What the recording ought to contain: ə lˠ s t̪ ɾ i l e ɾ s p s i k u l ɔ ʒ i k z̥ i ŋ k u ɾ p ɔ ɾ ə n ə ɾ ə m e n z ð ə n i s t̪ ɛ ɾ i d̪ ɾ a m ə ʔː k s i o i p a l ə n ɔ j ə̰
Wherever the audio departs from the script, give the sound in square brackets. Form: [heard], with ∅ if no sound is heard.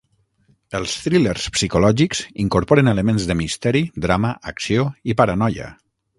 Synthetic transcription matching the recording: ə lˠ s t̪ ɾ i l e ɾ s p s i k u l ɔ ʒ i k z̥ i ŋ k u ɾ p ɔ ɾ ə n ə [l] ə m e n z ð ə [m] i s t̪ ɛ ɾ i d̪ ɾ a m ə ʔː k s i o i p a [ɾ] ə n ɔ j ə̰